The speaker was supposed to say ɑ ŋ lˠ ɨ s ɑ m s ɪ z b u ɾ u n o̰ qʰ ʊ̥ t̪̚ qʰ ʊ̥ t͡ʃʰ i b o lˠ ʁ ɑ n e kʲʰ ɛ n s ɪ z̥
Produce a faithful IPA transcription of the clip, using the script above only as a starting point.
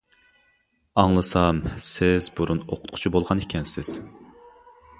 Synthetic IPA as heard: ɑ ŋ lˠ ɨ s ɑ m s ɪ z b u ɾ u n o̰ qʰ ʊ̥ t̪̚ qʰ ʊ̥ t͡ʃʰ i b o lˠ ʁ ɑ n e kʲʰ ɛ n s ɪ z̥